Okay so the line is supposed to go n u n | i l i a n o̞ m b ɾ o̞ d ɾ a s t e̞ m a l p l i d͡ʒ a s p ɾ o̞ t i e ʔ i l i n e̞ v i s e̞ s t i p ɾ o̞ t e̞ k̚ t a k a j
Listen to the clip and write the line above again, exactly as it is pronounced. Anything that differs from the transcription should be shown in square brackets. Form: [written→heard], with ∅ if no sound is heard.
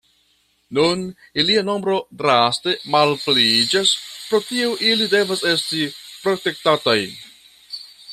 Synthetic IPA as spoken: n u n | i l i a n o̞ m b ɾ o̞ d ɾ a s t e̞ m a l p l i d͡ʒ a s p ɾ o̞ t i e ʔ i l i [n→d] e̞ v [i→a] s e̞ s t i p ɾ o̞ t e̞ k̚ t a [k→t] a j